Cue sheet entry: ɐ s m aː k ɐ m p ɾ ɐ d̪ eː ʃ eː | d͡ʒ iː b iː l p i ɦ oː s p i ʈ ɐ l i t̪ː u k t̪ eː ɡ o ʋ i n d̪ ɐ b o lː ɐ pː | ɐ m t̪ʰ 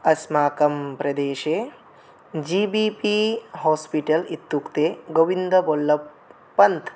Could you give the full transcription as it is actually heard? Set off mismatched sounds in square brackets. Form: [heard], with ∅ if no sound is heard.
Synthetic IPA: ɐ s m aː k ɐ m p ɾ ɐ d̪ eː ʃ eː | d͡ʒ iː b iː [∅] p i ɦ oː s p i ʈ ɐ l i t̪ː u k t̪ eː ɡ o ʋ i n d̪ ɐ b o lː ɐ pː | ɐ [n] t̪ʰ